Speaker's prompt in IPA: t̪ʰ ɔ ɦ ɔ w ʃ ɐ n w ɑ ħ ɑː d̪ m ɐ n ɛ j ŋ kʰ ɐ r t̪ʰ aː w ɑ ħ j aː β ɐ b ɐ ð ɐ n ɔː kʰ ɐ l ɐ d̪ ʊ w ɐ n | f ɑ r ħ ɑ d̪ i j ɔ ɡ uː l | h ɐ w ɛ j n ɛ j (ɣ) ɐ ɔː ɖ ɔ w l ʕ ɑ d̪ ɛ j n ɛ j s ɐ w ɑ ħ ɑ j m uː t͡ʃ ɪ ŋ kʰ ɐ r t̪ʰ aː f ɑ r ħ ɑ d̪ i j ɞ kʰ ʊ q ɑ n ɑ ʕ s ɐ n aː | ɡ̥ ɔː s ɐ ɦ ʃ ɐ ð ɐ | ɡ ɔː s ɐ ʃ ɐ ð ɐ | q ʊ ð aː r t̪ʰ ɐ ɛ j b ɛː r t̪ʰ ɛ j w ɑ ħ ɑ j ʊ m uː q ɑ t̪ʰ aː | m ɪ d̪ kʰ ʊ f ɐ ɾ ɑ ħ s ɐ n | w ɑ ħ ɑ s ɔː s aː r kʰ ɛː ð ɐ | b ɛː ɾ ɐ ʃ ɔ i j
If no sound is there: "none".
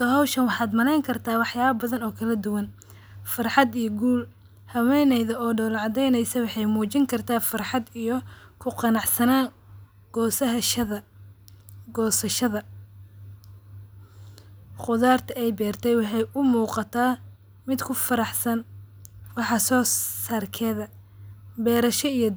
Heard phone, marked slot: ð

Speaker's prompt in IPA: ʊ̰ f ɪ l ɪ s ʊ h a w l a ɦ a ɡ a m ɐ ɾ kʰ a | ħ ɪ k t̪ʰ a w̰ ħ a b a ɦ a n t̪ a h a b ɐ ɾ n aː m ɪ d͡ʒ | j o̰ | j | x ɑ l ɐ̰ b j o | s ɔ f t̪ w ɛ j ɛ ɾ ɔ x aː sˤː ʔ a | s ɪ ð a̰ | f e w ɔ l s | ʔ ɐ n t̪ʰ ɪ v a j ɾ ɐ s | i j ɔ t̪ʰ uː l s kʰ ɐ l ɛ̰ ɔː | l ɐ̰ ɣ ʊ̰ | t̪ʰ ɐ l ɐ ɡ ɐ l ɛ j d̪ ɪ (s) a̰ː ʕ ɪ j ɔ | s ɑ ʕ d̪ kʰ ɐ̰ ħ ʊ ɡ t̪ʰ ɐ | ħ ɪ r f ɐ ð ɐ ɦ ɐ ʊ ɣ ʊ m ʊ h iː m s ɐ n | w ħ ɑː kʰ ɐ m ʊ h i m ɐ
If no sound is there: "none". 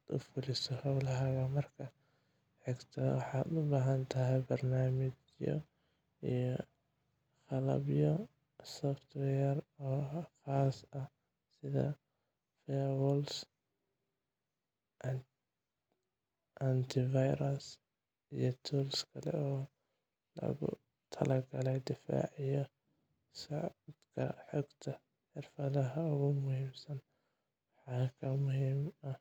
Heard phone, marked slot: f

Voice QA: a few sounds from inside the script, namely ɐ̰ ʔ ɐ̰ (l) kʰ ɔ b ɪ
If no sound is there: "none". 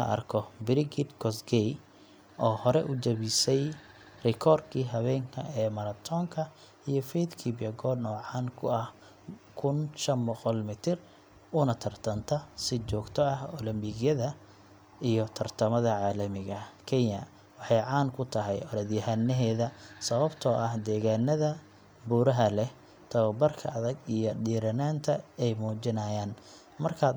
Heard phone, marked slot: r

